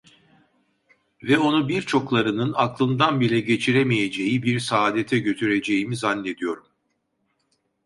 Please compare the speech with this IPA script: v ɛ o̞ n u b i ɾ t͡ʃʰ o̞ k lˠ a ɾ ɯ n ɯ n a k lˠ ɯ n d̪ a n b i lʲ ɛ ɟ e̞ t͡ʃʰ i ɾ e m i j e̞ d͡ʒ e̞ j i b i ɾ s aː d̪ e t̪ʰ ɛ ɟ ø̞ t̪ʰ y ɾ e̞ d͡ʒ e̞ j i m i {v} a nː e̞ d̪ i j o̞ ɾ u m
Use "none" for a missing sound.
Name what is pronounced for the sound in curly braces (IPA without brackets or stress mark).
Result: z